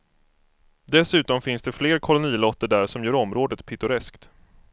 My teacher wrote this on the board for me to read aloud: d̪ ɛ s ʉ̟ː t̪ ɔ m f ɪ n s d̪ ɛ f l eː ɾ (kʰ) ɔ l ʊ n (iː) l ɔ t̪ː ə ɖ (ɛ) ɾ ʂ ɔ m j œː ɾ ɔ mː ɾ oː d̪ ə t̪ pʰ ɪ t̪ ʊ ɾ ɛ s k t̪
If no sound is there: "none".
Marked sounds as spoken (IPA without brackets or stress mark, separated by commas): kʰ, iː, æ